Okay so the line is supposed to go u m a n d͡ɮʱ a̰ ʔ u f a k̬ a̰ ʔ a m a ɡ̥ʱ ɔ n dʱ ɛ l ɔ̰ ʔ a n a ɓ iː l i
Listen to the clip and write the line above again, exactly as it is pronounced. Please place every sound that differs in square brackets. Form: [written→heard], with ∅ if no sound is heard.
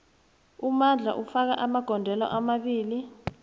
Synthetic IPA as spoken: u m a n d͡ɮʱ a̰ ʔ u f a k̬ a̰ ʔ a m a ɡ̥ʱ ɔ n dʱ ɛ l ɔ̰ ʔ a [n→m] a ɓ iː l i